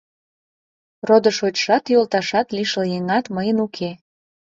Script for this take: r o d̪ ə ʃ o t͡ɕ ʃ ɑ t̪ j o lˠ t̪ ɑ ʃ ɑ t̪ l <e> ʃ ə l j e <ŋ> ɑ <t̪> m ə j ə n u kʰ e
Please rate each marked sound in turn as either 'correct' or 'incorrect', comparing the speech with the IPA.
incorrect, correct, correct

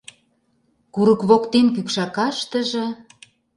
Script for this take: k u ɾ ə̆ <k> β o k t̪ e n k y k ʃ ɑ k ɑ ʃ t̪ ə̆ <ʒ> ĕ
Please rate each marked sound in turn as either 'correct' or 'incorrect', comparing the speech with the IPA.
correct, correct

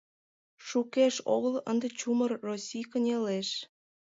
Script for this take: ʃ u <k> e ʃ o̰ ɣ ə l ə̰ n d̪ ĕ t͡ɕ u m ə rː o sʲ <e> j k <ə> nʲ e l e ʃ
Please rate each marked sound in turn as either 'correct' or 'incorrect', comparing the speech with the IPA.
correct, incorrect, correct

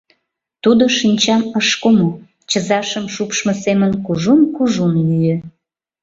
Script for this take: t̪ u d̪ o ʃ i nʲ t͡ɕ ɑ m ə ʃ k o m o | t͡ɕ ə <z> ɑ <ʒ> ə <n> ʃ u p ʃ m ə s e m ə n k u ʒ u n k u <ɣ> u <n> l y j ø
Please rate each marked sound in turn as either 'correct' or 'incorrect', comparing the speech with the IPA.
correct, incorrect, incorrect, incorrect, correct

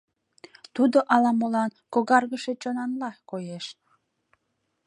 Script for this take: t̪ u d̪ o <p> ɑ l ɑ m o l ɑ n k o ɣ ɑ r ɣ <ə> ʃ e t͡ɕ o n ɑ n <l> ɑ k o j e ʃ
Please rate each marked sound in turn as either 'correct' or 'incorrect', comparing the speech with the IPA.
incorrect, correct, correct

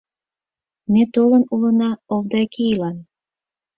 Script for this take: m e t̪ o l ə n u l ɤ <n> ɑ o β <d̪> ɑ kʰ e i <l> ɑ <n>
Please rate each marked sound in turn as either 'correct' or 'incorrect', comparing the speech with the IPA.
correct, correct, correct, correct

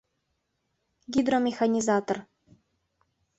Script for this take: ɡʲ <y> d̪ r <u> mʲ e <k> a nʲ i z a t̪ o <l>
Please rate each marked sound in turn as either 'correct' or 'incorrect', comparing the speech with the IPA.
incorrect, incorrect, incorrect, incorrect

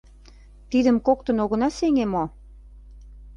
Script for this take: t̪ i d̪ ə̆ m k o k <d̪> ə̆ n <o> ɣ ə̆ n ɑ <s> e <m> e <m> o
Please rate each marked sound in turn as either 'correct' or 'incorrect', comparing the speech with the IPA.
incorrect, correct, correct, incorrect, correct

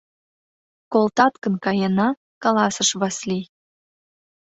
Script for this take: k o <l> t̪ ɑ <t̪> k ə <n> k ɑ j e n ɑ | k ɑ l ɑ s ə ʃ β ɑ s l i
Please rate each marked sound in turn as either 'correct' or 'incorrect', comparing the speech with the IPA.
correct, correct, correct

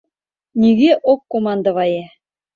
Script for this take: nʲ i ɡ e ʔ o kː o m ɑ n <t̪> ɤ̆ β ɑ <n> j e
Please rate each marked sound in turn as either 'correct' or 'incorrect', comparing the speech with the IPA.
incorrect, incorrect

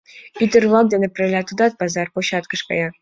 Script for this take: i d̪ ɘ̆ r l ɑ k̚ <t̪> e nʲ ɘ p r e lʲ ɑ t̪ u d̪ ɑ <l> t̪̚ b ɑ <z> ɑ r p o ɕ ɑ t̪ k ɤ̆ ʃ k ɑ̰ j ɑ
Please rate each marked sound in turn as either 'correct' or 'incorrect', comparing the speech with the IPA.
incorrect, incorrect, correct

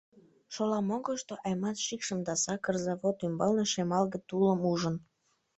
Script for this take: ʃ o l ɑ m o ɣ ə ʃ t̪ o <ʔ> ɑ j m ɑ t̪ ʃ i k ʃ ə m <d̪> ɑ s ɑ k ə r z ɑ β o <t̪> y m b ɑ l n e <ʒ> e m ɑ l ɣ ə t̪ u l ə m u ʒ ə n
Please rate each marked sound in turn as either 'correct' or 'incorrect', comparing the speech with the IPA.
correct, correct, correct, incorrect

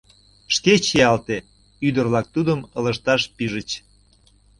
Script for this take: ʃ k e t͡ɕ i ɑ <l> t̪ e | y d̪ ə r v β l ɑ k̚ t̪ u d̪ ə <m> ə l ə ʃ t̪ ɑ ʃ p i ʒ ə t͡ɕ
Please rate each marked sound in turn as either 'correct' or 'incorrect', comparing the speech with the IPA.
correct, correct

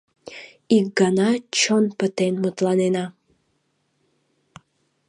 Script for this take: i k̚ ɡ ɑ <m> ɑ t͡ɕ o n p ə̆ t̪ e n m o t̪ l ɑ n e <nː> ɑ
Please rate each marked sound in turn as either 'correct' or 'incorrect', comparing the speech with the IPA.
incorrect, incorrect

